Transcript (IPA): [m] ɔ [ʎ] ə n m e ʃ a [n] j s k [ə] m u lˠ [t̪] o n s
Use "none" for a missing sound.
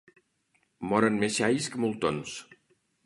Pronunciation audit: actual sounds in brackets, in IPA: m, ɾ, none, ə, t̪

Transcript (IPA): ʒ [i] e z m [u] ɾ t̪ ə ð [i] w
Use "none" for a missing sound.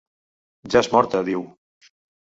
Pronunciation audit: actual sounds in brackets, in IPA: a, ɔ, i

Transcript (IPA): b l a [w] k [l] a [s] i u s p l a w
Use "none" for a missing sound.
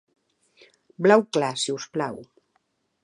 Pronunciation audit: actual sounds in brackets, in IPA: w, l, s

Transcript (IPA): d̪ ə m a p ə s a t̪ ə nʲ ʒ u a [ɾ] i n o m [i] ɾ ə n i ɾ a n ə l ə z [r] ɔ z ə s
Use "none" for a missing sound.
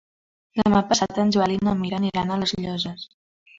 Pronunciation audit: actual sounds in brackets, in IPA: l, i, ʎ

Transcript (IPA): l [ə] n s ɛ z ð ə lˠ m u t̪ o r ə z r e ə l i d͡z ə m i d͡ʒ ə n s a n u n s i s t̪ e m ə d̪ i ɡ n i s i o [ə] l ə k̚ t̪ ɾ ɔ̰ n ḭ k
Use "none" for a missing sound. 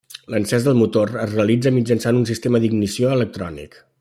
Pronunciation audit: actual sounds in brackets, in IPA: ə, ə

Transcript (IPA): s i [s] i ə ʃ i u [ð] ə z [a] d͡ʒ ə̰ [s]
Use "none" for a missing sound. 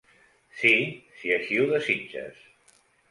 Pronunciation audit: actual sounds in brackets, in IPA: s, ð, i, s

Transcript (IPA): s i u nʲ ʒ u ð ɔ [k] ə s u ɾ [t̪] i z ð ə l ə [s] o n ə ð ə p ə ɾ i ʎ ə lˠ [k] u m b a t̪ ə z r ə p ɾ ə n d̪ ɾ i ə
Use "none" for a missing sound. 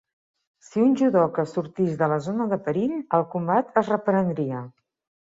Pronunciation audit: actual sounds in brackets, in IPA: k, t̪, z, k

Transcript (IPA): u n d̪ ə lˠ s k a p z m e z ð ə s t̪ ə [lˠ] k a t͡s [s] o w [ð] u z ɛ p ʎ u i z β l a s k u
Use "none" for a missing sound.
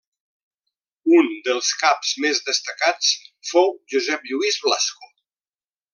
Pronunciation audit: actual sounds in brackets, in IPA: none, f, ʒ

